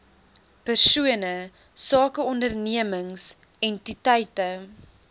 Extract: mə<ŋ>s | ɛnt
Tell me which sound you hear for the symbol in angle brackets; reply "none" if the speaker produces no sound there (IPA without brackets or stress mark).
ŋ